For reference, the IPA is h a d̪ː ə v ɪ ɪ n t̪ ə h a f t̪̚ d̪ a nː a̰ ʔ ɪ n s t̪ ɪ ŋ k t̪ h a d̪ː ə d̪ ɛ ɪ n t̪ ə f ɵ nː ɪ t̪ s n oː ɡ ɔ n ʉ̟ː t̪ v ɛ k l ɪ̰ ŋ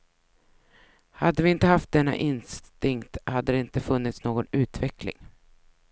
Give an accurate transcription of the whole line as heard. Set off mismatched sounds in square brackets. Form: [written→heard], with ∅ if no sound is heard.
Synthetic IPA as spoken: h a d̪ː ə v ɪ ɪ n t̪ ə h a f t̪̚ d̪ [a→ɛ] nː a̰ ʔ ɪ n s t̪ ɪ ŋ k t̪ h a d̪ː ə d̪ ɛ ɪ n t̪ ə f ɵ nː ɪ t̪ s n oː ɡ ɔ n ʉ̟ː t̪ v ɛ k l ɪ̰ ŋ

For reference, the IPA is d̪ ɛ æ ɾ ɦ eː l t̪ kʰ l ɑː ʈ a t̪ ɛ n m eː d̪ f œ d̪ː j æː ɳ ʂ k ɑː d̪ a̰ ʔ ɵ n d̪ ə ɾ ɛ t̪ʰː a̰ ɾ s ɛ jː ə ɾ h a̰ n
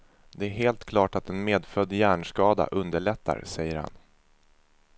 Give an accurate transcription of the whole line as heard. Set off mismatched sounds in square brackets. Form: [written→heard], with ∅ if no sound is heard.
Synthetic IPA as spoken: d̪ ɛ æ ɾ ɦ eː l t̪ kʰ l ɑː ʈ a t̪ ɛ n m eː d̪ f œ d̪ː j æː ɳ ʂ k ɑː d̪ a̰ ʔ ɵ n d̪ ə [ɾ→ɭ] ɛ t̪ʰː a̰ ɾ s ɛ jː ə ɾ h a̰ n

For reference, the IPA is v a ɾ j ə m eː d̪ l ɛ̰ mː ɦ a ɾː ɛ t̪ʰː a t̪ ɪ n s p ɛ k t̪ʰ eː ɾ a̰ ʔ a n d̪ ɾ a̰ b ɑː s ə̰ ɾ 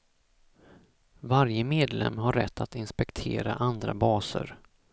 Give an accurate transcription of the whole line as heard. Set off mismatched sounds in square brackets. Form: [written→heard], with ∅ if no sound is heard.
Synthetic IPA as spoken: v a ɾ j ə m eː d̪ l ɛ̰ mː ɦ a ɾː ɛ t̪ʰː a t̪ ɪ n s p ɛ k t̪ʰ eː ɾ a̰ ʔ a n d̪ ɾ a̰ b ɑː s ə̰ ɾ

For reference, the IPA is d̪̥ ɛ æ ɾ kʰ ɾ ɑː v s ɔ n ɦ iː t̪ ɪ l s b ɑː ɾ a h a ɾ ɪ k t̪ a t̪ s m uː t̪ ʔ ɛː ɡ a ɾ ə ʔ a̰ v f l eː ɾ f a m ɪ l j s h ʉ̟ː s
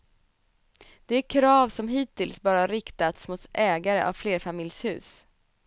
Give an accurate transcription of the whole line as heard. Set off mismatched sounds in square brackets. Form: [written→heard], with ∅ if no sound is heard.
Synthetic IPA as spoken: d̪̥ ɛ æ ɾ kʰ ɾ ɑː v s ɔ [n→m] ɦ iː t̪ ɪ l s b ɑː ɾ a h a ɾ ɪ k t̪ a t̪ s m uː t̪ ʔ ɛː ɡ a ɾ ə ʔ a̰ v f l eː ɾ f a m ɪ l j s h ʉ̟ː s

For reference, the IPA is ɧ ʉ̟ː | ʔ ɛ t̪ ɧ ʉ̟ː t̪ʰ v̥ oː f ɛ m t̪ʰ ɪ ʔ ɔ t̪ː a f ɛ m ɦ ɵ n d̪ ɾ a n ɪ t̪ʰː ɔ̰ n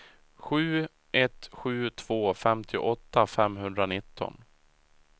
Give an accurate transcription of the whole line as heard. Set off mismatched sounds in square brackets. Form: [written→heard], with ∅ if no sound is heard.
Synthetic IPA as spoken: ɧ ʉ̟ː | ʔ ɛ t̪ ɧ ʉ̟ː t̪ʰ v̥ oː f ɛ m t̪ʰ ɪ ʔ ɔ t̪ː a f ɛ m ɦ ɵ n d̪ ɾ a n ɪ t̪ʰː ɔ̰ n

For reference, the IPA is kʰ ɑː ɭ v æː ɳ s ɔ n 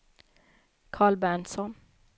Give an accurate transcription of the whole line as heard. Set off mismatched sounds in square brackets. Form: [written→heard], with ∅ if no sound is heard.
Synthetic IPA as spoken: kʰ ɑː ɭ [v→b] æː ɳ s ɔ n

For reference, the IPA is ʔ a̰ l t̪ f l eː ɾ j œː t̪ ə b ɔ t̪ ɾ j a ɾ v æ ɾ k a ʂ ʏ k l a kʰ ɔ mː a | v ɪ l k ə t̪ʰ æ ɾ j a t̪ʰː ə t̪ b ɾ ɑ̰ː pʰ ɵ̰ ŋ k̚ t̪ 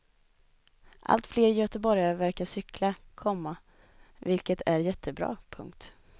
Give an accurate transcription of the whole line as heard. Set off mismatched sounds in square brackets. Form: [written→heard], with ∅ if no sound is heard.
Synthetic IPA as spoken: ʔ a̰ l t̪ f l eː ɾ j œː t̪ ə b ɔ [t̪→∅] ɾ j a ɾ v æ ɾ k a ʂ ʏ k l a kʰ ɔ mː a | v ɪ l k ə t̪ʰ æ ɾ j [a→ɛ] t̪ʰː ə [t̪→∅] b ɾ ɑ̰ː pʰ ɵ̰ ŋ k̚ t̪

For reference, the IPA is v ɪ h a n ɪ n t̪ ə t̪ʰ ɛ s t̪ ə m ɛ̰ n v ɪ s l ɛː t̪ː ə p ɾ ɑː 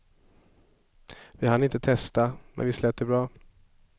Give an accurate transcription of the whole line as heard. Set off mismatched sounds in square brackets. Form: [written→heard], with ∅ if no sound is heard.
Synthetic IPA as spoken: v ɪ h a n ɪ n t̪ ə t̪ʰ ɛ s t̪ [ə→a] m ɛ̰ n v ɪ s l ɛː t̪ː ə [p→b] ɾ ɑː

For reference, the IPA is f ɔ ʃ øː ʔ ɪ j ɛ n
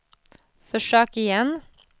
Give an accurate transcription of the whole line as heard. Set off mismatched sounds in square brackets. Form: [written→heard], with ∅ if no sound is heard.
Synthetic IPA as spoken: f ɔ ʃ øː [ʔ→k] ɪ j ɛ n

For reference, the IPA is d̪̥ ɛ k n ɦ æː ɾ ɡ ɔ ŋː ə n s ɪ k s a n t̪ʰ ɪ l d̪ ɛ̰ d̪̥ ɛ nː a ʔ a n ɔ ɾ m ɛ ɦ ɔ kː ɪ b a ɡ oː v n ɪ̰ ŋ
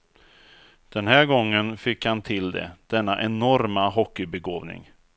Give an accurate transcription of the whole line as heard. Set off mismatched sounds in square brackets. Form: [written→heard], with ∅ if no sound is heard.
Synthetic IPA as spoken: d̪̥ ɛ [k→∅] n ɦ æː ɾ ɡ ɔ ŋː ə n [s→f] ɪ k [s→h] a n t̪ʰ ɪ l d̪ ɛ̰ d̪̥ ɛ nː a ʔ [a→ɛ] n ɔ ɾ m [ɛ→a] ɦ ɔ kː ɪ b [a→ɛ] ɡ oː v n ɪ̰ ŋ

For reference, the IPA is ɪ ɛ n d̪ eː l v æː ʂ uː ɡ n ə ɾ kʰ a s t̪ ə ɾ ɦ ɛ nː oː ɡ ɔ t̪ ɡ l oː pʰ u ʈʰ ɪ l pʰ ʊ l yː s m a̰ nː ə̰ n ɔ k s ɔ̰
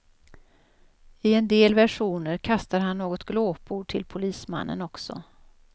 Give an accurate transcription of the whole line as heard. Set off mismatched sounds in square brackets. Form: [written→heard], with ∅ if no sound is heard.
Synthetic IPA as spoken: ɪ ɛ n d̪ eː l v [æː→æ] ʂ uː [ɡ→∅] n ə ɾ kʰ a s t̪ [ə→a] ɾ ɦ [ɛ→a] nː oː ɡ ɔ t̪ ɡ l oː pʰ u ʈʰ ɪ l pʰ ʊ l [yː→iː] s m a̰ nː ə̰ n ɔ k s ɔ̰

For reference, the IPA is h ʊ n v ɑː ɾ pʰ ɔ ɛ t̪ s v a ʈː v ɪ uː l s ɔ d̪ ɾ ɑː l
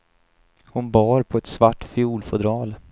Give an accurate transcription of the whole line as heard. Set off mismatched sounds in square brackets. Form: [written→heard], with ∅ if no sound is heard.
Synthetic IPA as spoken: h ʊ n [v→b] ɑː ɾ pʰ ɔ ɛ t̪ s v a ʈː [v→f] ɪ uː l [s→f] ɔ d̪ ɾ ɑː l

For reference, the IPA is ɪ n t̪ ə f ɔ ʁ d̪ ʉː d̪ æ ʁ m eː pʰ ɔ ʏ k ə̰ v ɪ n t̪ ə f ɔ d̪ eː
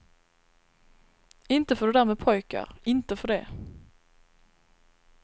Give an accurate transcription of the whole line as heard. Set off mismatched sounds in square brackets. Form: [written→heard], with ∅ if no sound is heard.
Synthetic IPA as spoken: ɪ n t̪ ə f ɔ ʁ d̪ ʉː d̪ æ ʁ m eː pʰ ɔ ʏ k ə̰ [v→ʁ] ɪ n t̪ ə f ɔ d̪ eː

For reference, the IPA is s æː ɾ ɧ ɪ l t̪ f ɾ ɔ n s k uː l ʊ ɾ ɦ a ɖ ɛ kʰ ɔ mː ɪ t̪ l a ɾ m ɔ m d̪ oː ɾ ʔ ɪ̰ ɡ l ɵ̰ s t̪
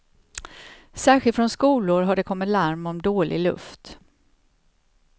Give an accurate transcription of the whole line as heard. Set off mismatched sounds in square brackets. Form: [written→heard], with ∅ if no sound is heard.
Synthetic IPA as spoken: s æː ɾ ɧ ɪ l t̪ f ɾ ɔ n s k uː l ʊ ɾ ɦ a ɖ ɛ kʰ ɔ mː ɪ t̪ l a ɾ m ɔ m d̪ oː [ɾ→l] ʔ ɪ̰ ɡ l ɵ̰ [s→f] t̪

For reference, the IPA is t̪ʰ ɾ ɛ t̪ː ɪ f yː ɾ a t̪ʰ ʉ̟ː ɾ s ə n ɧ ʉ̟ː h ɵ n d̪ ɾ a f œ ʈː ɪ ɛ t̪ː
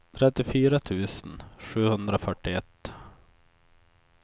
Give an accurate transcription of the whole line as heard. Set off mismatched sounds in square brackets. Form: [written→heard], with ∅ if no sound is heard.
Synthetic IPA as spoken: t̪ʰ ɾ ɛ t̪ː ɪ f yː ɾ a t̪ʰ ʉ̟ː [ɾ→∅] s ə n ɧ ʉ̟ː h ɵ n d̪ ɾ a f œ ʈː ɪ ɛ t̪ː

